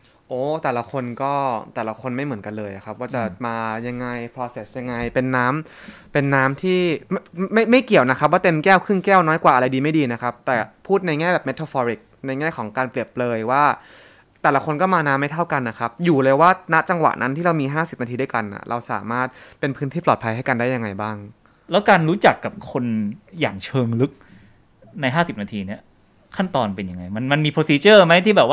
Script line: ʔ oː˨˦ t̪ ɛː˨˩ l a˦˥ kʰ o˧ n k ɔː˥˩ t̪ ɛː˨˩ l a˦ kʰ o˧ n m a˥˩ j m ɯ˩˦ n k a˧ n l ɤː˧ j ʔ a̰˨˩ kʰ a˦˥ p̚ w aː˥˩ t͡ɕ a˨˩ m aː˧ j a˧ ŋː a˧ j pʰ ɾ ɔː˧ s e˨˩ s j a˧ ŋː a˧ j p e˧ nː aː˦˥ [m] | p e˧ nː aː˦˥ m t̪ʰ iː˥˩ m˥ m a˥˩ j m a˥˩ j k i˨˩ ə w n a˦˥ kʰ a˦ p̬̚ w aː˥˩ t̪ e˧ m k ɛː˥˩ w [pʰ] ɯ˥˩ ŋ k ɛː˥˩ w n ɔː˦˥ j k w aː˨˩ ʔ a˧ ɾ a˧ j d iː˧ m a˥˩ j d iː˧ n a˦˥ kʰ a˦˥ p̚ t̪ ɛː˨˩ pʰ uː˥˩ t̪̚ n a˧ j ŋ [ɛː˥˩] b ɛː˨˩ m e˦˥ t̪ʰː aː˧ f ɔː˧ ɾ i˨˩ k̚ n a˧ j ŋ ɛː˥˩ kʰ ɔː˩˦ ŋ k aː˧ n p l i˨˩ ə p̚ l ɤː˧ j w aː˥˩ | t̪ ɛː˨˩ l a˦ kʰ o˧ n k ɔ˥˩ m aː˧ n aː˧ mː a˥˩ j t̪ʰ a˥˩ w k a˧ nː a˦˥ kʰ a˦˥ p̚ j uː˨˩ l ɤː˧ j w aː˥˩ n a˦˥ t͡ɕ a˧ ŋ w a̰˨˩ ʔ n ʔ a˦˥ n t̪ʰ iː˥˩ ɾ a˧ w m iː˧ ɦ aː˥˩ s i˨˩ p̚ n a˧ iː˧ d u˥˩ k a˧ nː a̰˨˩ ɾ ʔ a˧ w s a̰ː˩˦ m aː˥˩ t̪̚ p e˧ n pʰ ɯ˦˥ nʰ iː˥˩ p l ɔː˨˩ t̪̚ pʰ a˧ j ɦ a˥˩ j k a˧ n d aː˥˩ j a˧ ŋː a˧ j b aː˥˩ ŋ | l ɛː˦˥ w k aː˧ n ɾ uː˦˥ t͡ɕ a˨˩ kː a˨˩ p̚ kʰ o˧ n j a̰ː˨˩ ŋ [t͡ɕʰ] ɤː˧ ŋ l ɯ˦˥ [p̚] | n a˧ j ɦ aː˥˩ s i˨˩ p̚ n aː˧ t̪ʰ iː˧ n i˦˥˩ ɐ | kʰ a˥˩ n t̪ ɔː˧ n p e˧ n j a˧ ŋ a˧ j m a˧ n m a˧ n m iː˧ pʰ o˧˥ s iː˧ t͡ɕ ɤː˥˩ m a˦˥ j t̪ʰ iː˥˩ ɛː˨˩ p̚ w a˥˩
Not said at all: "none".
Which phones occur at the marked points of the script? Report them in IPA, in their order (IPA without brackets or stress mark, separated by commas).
m, kʰ, ɛː˥˩, t͡ɕʰ, k̚